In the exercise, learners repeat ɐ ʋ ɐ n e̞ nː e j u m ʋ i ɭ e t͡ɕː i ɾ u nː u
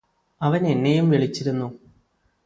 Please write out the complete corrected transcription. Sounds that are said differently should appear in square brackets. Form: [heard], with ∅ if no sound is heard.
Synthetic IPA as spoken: ɐ ʋ ɐ n e̞ nː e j u m ʋ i ɭ [i] t͡ɕː i ɾ u nː u